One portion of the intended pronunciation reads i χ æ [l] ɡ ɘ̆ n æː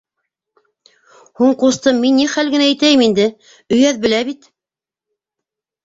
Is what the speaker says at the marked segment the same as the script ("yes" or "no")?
yes